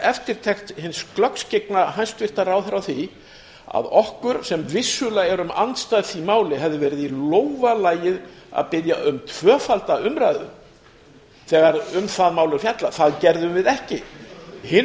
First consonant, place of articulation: labial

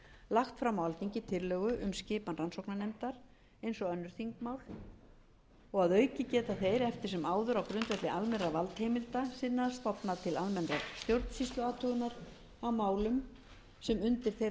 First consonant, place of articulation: alveolar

